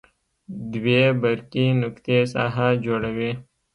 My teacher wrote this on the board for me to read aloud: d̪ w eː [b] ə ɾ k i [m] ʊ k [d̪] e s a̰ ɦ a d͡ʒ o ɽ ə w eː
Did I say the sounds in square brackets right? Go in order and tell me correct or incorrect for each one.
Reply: correct, incorrect, incorrect

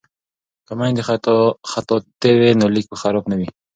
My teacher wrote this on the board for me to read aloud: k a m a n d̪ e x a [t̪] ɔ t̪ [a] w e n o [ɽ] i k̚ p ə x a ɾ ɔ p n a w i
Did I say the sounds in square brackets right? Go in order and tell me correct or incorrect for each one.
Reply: correct, incorrect, incorrect

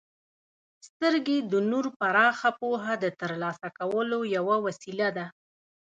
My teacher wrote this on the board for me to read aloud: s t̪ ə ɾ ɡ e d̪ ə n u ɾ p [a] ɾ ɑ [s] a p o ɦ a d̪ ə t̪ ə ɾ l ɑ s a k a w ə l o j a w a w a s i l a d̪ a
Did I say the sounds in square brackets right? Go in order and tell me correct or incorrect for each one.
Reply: correct, incorrect

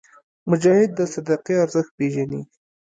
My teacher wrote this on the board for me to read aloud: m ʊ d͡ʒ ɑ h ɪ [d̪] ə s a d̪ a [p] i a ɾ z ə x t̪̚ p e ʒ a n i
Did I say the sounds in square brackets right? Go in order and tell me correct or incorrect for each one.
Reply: incorrect, incorrect

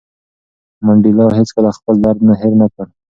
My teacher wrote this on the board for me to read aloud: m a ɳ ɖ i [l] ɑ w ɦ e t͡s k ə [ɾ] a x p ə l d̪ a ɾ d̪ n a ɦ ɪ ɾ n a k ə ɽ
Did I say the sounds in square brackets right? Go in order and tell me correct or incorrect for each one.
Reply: correct, incorrect

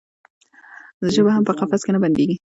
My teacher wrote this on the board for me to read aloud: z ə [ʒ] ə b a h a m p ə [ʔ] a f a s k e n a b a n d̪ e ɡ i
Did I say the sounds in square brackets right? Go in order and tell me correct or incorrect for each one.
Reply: correct, incorrect

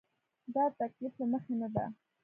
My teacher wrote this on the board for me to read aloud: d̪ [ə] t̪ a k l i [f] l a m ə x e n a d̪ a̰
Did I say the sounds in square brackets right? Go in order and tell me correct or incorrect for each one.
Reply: incorrect, correct

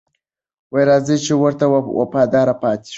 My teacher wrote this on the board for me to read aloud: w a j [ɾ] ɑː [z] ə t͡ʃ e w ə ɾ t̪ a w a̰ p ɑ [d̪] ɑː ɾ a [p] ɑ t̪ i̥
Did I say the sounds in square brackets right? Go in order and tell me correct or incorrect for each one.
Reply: correct, correct, correct, correct

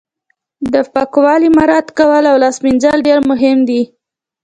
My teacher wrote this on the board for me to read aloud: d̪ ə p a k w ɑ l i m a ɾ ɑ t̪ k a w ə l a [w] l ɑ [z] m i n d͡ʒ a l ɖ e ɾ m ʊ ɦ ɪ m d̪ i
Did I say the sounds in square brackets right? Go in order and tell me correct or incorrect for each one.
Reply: correct, incorrect

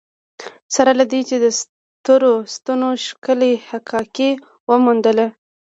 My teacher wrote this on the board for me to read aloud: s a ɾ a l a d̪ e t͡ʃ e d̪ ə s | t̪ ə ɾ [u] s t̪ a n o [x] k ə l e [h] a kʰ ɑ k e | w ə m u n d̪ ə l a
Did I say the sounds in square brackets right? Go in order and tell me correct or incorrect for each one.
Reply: incorrect, incorrect, correct

